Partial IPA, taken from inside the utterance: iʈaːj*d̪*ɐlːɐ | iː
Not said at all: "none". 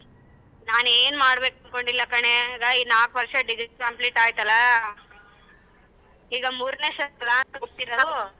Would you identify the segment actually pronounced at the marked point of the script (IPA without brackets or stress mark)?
t̪